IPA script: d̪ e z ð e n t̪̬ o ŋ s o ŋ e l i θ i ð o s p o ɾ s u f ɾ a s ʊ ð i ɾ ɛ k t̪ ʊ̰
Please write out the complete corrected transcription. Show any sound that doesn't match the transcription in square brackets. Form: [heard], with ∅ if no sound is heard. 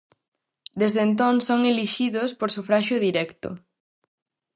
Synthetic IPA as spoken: d̪ e z ð e n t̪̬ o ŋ s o ŋ e l i [ʃ] i ð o s p o ɾ s u f ɾ a [ʃ] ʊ ð i ɾ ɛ k t̪ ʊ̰